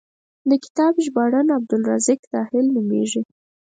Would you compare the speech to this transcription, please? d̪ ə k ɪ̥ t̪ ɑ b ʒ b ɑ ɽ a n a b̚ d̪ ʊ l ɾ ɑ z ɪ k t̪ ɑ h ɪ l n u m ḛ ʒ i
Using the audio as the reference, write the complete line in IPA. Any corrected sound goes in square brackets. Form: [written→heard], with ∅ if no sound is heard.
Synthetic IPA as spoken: d̪ ə k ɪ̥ t̪ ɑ b ʒ b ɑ ɽ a n a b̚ d̪ ʊ l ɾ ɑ z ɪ k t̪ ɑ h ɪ l n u m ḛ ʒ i